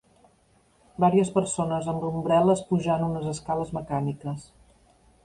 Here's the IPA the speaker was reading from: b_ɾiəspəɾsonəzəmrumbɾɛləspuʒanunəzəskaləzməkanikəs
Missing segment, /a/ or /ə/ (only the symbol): a